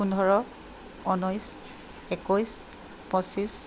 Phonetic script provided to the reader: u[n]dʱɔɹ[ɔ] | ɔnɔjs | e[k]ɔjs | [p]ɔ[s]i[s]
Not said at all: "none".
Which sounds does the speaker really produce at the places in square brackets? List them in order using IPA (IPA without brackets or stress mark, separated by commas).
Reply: n, ɔ, k, p, s, s